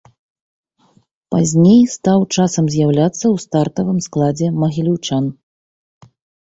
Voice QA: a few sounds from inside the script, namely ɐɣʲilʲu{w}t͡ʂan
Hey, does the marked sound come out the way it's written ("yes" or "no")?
yes